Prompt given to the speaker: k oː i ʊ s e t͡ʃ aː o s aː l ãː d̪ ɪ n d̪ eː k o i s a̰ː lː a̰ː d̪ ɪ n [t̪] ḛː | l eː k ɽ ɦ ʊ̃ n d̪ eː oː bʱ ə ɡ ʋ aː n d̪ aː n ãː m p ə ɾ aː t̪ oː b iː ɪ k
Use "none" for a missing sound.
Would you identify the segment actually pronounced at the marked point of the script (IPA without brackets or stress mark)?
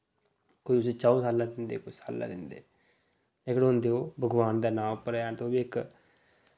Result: d̪